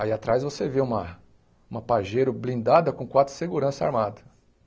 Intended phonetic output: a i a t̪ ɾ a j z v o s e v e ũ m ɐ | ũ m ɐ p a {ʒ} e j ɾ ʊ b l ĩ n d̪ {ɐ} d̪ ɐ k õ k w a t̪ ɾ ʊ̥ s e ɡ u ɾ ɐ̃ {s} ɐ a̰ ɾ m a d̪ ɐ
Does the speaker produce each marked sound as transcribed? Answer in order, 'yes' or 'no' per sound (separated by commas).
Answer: yes, no, yes